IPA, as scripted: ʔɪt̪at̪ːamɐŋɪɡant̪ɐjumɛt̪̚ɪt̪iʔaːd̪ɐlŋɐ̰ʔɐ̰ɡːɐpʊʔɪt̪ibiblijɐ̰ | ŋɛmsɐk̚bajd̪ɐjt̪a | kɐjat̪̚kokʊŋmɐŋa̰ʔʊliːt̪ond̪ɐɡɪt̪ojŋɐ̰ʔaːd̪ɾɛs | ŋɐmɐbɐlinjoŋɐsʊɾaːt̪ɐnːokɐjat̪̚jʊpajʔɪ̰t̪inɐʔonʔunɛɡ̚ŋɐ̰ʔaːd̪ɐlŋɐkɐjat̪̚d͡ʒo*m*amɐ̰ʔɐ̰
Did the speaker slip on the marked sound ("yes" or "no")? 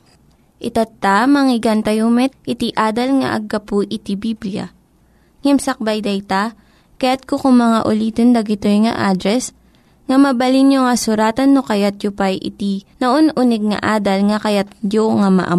yes